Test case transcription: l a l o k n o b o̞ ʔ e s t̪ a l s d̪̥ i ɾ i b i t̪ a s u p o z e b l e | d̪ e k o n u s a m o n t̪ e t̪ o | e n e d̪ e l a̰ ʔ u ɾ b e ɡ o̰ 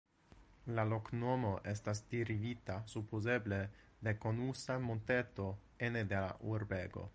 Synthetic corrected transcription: l a l o k n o m o̞ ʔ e s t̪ a s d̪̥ i ɾ i v i t̪ a s u p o z e b l e | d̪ e k o n u s a m o n t̪ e t̪ o | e n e d̪ e l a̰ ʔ u ɾ b e ɡ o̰

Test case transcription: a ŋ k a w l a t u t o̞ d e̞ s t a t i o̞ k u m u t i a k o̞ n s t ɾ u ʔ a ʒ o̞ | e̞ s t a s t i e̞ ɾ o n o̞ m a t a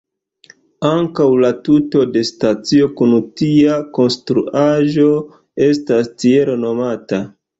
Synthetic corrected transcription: a ŋ k a w l a t u t o̞ d e̞ s t a t͡s i o̞ k u n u t i a k o̞ n s t ɾ u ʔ a ʒ o̞ | e̞ s t a s t i e̞ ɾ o n o̞ m a t a

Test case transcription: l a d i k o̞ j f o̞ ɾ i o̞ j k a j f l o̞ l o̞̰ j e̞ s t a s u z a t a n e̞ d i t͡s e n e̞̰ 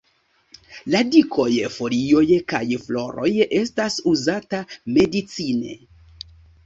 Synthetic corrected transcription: l a d i k o̞ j f o̞ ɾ i o̞ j k a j f l o̞ ɾ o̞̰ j e̞ s t a s u z a t a m e̞ d i t͡s i n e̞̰

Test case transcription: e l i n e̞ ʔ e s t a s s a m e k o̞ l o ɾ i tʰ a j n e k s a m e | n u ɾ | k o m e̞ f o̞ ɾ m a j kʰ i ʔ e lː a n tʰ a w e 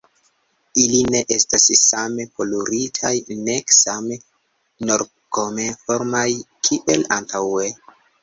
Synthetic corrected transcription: i l i n e̞ ʔ e s t a s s a m e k o̞ l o ɾ i tʰ a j n e k s a m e | n o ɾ | k o m e̞ f o̞ ɾ m a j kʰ i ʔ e l a n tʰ a w e

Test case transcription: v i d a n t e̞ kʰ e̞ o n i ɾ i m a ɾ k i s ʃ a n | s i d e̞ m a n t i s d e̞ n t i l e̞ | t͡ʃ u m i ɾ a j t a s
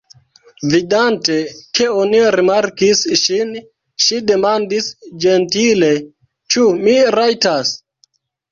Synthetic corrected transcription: v i d a n t e̞ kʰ e̞ o n i ɾ i m a ɾ k i s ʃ i n | ʃ i d e̞ m a n d i s d͡ʒ e̞ n t i l e̞ | t͡ʃ u m i ɾ a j t a s

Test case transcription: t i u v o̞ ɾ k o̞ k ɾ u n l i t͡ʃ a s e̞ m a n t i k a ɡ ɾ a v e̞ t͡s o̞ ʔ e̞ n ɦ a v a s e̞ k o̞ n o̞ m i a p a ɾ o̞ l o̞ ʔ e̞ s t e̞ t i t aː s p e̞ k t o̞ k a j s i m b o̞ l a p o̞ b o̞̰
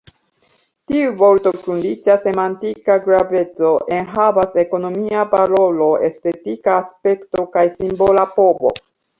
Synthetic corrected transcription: t i u v o̞ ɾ t o̞ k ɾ u n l i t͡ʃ a s e̞ m a n t i k a ɡ ɾ a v e̞ t͡s o̞ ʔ e̞ n ɦ a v a s e̞ k o̞ n o̞ m i a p a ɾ o̞ l o̞ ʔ e̞ s t e̞ t i k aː s p e̞ k t o̞ k a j s i m b o̞ l a p o̞ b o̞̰

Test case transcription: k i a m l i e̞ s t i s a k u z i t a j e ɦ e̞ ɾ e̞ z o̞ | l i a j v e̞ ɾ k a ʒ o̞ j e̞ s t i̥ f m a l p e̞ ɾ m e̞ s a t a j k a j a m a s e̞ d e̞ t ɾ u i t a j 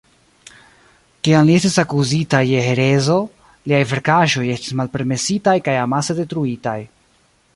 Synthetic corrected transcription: k i a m l i e̞ s t i s a k u z i t a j e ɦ e̞ ɾ e̞ z o̞ | l i a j v e̞ ɾ k a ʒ o̞ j e̞ s t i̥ s m a l p e̞ ɾ m e̞ s i t a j k a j a m a s e̞ d e̞ t ɾ u i t a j

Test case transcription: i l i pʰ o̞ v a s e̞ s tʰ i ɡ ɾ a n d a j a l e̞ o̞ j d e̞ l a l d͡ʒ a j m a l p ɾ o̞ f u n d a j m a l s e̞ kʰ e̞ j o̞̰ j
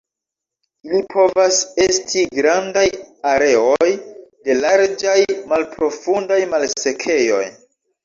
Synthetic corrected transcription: i l i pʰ o̞ v a s e̞ s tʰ i ɡ ɾ a n d a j a ɾ e̞ o̞ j d e̞ l a ɾ d͡ʒ a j m a l p ɾ o̞ f u n d a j m a l s e̞ kʰ e̞ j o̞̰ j

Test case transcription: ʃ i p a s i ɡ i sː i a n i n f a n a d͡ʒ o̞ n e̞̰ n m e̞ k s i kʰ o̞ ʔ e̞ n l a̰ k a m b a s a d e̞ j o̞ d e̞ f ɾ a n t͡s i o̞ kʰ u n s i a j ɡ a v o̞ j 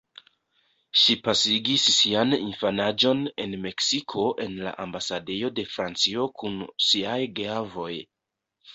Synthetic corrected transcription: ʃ i p a s i ɡ i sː i a n i n f a n a d͡ʒ o̞ n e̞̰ n m e̞ k s i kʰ o̞ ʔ e̞ n l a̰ ʔ a m b a s a d e̞ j o̞ d e̞ f ɾ a n t͡s i o̞ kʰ u n s i a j ɡ a v o̞ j

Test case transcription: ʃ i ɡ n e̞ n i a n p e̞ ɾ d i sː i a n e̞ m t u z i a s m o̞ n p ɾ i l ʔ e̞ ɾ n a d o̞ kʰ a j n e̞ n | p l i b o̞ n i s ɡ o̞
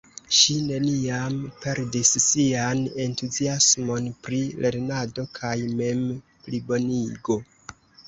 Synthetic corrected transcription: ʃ i n e̞ n i a m p e̞ ɾ d i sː i a n e̞ n t u z i a s m o̞ n p ɾ i l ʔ e̞ ɾ n a d o̞ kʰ a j m e̞ m | p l i b o̞ n i ɡ o̞

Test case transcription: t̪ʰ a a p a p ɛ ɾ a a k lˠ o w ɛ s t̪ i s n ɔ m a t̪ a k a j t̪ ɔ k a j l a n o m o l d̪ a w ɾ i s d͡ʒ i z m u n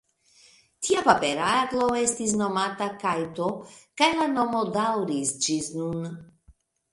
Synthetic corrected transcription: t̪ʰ i a p a p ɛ ɾ a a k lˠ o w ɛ s t̪ i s n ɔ m a t̪ a k a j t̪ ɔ k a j l a n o m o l d̪ a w ɾ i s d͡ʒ i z n u n

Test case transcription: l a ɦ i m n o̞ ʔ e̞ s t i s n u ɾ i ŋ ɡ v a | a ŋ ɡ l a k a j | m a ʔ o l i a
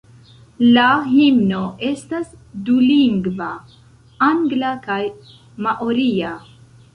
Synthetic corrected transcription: l a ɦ i m n o̞ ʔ e̞ s t a s d u l i ŋ ɡ v a | a ŋ ɡ l a k a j | m a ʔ o ɾ i a

